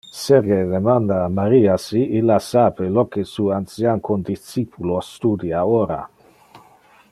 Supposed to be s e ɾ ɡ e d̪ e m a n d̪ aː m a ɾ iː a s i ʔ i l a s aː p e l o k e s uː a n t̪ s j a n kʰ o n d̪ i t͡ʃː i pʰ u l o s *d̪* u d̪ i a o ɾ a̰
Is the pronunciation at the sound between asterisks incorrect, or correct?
incorrect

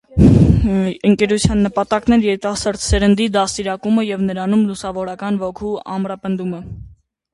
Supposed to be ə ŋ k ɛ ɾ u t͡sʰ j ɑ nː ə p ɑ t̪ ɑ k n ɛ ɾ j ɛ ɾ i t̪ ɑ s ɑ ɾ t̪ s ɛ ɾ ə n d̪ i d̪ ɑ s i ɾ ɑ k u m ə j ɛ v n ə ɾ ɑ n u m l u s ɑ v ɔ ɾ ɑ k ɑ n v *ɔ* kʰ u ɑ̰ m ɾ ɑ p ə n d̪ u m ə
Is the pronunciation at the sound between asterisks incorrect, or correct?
correct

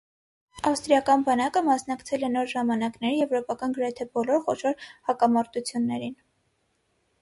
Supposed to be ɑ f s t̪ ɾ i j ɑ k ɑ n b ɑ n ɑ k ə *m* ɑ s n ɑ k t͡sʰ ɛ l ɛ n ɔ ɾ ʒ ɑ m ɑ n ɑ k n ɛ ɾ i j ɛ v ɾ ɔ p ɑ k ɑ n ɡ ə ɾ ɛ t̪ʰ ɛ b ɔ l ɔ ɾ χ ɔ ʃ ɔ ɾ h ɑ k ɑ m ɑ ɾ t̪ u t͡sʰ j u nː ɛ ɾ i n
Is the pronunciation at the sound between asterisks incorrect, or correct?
correct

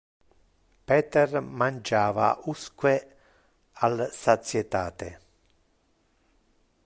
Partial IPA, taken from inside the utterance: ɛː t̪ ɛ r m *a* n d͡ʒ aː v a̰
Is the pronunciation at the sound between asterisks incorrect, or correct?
correct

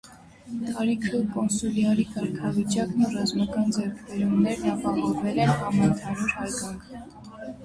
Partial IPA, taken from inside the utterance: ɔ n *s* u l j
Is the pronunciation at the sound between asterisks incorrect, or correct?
correct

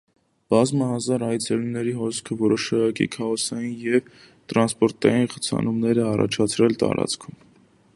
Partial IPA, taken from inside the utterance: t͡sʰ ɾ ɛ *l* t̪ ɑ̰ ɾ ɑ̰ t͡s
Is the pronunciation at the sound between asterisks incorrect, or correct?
correct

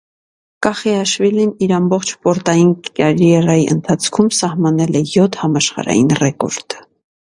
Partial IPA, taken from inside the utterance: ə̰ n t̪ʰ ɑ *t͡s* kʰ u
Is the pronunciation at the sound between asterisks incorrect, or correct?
incorrect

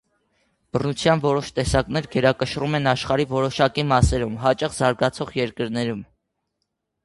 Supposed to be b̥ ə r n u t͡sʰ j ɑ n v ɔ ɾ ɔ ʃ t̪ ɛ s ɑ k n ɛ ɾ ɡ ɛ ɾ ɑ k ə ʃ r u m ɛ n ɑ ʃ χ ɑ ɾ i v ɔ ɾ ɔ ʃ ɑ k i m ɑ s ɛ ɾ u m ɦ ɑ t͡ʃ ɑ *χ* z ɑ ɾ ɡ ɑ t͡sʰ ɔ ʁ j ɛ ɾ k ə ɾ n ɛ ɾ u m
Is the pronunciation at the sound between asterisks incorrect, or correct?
correct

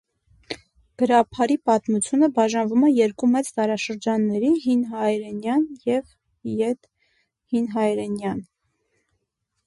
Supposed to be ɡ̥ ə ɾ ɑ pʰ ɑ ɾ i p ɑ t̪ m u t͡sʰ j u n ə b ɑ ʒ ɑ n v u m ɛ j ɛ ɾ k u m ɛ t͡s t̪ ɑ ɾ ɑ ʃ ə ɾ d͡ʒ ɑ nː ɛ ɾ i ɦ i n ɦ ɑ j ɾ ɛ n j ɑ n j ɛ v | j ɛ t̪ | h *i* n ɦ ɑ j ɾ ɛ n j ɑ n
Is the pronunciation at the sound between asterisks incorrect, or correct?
correct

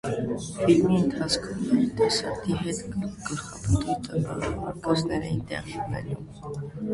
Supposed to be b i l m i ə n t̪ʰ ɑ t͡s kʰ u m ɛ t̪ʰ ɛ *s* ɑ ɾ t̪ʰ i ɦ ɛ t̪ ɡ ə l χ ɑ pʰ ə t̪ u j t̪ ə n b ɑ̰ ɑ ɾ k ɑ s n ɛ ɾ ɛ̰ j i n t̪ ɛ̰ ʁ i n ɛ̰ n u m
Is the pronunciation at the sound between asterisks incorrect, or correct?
correct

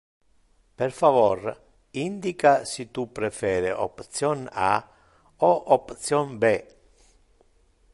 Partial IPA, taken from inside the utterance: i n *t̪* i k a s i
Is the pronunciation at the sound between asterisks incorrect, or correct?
incorrect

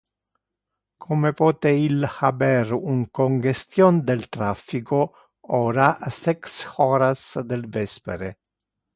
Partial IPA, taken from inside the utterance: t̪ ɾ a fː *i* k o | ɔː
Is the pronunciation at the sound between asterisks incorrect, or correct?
correct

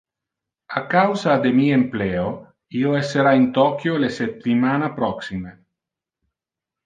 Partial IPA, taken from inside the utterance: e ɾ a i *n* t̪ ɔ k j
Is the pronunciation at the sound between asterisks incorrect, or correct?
correct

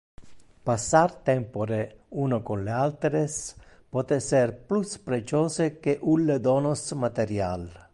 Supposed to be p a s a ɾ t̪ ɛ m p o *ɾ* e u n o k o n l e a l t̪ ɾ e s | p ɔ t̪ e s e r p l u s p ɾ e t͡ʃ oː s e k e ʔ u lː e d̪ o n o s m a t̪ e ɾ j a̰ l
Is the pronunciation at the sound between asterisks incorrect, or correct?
correct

